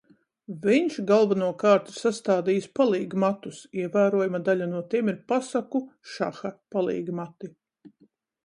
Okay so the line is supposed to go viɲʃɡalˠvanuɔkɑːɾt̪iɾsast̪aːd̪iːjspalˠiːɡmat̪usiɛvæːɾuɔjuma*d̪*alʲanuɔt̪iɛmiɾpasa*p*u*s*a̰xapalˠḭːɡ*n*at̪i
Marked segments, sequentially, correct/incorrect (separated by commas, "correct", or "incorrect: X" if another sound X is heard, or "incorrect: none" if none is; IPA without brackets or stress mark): correct, incorrect: k, incorrect: ʃ, incorrect: m